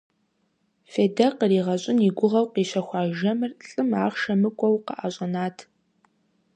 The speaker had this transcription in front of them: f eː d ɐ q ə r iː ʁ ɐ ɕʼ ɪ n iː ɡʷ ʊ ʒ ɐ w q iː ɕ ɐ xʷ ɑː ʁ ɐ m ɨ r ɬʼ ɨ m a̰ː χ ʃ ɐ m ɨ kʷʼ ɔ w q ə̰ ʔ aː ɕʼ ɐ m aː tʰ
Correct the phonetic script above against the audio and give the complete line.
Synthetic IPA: f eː d ɐ q ə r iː ʁ ɐ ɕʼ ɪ n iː ɡʷ ʊ ʁ ɐ w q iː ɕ ɐ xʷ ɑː ʒ ɐ m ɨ r ɬʼ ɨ m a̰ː χ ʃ ɐ m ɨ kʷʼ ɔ w q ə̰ ʔ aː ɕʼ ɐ n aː tʰ